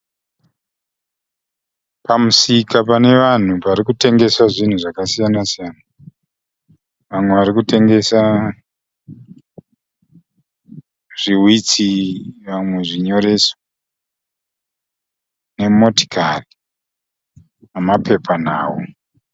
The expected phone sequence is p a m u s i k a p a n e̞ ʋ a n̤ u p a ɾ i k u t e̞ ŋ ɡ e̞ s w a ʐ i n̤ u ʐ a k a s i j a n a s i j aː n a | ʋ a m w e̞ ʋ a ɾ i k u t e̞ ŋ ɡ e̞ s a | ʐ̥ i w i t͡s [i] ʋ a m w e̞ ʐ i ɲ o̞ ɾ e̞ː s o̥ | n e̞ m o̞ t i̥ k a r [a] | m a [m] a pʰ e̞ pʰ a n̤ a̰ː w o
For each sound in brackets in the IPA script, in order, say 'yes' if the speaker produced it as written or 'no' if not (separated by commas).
yes, no, yes